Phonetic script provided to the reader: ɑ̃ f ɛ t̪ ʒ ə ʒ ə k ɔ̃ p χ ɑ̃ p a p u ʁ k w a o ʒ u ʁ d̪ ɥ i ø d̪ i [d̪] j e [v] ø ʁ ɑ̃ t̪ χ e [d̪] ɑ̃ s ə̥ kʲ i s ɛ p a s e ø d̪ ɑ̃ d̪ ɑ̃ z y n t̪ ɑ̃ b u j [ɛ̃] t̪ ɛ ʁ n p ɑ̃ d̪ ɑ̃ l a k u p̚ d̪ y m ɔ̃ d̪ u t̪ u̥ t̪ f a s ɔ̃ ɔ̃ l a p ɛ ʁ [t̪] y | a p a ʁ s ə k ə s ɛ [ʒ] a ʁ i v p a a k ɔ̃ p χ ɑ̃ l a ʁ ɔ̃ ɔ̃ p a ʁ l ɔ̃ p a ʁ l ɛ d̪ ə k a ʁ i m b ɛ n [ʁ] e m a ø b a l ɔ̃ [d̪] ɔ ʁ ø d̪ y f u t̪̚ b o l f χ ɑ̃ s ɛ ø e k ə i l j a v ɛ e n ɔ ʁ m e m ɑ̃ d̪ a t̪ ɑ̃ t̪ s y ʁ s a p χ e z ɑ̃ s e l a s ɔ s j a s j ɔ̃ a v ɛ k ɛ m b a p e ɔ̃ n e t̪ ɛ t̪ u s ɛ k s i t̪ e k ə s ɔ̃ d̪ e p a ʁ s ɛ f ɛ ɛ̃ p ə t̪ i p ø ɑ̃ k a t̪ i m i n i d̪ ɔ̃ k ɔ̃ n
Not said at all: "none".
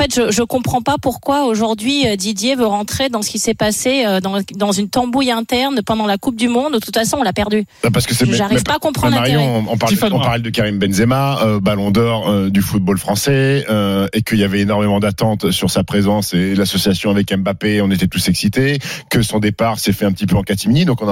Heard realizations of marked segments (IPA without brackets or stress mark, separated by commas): d̪, v, d̪, ɛ̃, d̪, ʒ, z, d̪